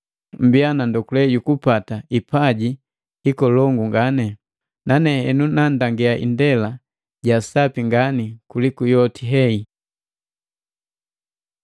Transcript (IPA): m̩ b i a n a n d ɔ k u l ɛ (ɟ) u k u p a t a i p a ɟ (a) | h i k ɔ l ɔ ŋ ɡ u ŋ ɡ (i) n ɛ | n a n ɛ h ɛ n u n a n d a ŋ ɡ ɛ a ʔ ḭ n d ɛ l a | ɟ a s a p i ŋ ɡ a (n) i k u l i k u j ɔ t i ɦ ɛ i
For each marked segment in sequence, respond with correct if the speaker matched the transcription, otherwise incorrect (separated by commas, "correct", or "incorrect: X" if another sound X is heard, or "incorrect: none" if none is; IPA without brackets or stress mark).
correct, incorrect: i, incorrect: a, correct